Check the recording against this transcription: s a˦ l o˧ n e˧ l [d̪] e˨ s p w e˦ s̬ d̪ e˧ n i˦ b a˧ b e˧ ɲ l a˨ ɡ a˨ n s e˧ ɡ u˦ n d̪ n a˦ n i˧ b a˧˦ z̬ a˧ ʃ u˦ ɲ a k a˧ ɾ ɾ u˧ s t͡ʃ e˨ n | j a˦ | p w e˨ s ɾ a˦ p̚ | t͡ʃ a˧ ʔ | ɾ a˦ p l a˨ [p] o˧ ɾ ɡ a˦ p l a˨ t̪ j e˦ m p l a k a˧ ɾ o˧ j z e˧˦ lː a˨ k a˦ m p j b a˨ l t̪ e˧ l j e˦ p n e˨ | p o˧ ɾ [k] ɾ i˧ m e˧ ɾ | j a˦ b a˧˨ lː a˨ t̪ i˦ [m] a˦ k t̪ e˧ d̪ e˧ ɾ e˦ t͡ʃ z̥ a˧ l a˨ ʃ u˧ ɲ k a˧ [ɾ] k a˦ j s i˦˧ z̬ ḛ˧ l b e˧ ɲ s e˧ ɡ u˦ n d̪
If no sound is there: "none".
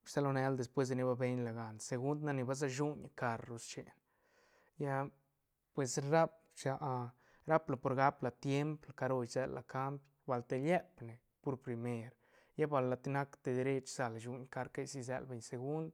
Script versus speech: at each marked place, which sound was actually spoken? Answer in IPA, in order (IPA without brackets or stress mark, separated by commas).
d̪, p, p, n, ɾ